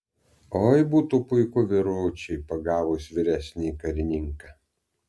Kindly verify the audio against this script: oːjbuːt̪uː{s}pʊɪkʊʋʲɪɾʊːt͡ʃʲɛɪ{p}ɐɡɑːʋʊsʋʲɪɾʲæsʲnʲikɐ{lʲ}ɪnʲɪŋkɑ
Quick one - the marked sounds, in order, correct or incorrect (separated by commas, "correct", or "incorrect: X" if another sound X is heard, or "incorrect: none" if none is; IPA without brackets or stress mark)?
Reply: incorrect: none, correct, incorrect: ɾʲ